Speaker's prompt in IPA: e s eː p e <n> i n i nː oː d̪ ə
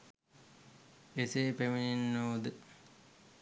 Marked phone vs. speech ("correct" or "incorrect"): incorrect